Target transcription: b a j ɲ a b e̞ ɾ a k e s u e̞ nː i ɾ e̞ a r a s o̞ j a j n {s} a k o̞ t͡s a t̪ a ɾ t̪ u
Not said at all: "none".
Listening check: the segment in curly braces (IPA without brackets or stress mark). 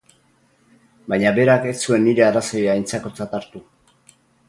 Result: t͡s